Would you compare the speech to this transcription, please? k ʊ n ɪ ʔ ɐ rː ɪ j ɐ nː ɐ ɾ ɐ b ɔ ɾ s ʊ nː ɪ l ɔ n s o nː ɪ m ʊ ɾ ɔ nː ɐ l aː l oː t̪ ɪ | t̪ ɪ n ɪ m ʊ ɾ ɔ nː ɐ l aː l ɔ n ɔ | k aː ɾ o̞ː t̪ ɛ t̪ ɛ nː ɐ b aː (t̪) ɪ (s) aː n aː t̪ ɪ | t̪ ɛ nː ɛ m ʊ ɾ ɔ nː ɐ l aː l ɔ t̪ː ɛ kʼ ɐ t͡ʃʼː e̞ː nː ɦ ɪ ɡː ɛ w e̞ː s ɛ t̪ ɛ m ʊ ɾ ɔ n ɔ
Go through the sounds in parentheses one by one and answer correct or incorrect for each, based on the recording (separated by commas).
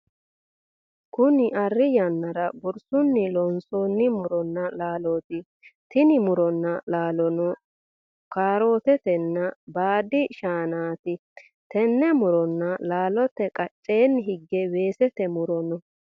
incorrect, incorrect